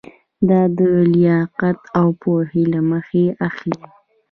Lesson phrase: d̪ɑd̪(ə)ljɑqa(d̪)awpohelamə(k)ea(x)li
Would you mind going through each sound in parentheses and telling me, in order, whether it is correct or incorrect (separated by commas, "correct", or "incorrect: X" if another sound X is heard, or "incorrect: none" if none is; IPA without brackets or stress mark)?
correct, incorrect: t̪, incorrect: x, correct